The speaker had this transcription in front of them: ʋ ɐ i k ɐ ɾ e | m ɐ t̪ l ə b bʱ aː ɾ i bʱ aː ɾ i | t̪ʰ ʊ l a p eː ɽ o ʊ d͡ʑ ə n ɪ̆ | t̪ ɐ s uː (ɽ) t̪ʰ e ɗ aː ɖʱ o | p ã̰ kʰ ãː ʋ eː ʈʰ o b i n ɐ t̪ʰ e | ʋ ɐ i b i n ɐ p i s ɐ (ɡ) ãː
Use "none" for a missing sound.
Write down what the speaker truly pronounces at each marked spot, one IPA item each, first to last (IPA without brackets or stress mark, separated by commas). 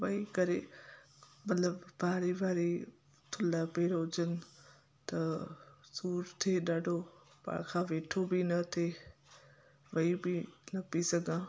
ɾ, ɡ